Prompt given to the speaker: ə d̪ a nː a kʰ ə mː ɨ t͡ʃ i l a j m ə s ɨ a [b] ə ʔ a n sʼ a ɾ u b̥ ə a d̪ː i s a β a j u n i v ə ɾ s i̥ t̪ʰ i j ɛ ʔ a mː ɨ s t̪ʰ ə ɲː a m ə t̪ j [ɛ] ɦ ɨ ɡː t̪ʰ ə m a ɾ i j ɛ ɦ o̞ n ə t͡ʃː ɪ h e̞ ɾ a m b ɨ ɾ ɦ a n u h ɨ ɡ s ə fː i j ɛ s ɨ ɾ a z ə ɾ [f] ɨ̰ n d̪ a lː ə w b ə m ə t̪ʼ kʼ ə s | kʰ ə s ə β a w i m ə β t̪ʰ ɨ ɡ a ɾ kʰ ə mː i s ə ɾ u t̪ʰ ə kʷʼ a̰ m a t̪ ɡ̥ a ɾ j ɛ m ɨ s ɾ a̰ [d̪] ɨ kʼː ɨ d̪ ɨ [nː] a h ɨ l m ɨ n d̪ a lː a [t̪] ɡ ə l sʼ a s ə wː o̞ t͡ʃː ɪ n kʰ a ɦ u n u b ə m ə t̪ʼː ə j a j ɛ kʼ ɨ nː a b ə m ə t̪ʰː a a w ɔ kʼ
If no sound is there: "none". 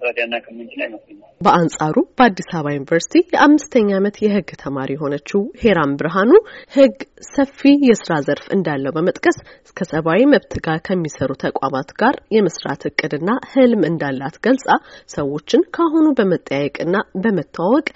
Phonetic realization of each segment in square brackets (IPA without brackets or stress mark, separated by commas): b, ɛ, f, t̪, nː, t̪